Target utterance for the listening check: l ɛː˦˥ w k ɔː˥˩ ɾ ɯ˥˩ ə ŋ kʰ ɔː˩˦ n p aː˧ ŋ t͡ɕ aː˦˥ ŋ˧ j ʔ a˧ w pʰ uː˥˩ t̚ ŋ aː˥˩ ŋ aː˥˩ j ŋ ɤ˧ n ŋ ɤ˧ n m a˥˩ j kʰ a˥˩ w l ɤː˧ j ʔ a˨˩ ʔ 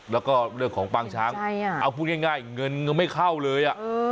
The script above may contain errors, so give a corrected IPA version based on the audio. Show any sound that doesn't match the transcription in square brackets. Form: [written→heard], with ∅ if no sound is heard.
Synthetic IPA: l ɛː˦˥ w k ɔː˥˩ ɾ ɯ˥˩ ə ŋ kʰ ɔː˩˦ [n→ŋ] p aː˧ ŋ [t͡ɕ→t͡ɕʰ] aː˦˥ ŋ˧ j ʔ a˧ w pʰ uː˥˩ t̚ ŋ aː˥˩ ŋ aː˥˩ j ŋ ɤ˧ n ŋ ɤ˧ n m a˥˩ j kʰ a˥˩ w l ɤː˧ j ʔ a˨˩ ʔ